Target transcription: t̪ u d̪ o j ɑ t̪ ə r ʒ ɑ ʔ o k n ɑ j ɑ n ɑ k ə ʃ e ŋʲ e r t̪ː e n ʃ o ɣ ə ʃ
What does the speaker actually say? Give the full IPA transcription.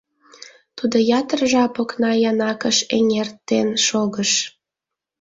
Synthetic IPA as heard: t̪ u d̪ o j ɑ t̪ ə r ʒ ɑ p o k n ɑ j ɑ n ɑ k ə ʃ e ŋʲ e r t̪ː e n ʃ o ɣ ə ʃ